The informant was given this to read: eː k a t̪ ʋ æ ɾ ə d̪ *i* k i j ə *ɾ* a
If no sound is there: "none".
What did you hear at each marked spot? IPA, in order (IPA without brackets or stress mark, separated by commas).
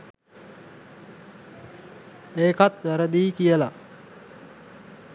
iː, l